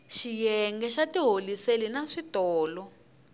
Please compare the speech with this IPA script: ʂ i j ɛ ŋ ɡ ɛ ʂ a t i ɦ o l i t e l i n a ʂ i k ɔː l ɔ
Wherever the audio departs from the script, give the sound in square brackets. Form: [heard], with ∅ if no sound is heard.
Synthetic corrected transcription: [ʃ] i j ɛ ŋ ɡ ɛ [ʃ] a t i ɦ o l i [s] e l i n a ʂ i [t] ɔː l ɔ